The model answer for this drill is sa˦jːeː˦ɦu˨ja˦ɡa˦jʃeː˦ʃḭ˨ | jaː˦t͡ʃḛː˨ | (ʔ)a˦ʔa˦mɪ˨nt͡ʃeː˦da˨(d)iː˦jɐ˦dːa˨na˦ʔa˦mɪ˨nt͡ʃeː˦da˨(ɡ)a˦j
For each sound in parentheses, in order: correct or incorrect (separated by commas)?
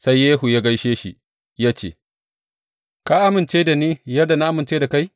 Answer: incorrect, incorrect, incorrect